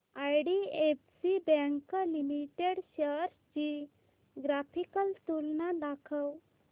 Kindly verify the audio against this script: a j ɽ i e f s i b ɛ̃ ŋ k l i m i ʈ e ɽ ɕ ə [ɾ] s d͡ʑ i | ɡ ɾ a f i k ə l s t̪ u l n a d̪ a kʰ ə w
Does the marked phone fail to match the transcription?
no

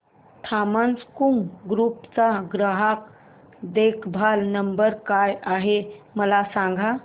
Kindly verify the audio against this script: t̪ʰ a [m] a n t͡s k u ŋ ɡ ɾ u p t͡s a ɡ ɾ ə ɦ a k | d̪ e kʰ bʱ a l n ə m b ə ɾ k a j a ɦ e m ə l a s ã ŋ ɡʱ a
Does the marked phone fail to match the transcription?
no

